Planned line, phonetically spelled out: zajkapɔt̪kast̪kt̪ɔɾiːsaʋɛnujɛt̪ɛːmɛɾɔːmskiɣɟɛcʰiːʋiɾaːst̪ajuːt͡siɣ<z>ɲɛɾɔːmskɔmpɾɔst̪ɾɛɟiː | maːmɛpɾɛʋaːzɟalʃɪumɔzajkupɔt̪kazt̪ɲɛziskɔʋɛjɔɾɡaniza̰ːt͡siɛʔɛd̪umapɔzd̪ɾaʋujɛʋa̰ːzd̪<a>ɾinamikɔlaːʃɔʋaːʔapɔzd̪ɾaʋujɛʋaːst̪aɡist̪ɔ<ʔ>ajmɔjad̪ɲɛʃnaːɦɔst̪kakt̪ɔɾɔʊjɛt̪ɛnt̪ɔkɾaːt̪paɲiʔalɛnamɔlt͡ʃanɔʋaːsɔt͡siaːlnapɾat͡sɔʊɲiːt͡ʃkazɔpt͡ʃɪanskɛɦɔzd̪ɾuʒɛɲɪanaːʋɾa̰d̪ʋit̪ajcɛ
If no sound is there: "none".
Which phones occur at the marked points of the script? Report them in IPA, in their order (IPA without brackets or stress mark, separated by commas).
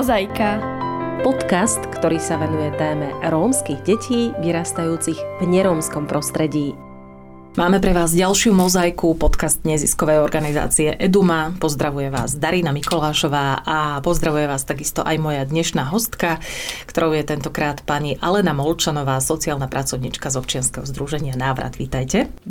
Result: v, a, ʔ